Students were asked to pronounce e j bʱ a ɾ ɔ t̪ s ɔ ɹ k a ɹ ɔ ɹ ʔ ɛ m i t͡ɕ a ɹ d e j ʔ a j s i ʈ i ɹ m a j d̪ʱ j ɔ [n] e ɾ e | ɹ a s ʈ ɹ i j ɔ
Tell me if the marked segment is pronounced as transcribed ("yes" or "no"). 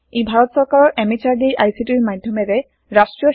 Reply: no